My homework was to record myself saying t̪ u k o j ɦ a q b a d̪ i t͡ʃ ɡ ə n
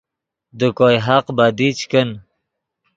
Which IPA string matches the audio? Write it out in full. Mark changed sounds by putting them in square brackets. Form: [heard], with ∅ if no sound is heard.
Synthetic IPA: [d̪] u k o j ɦ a q b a d̪ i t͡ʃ [k] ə n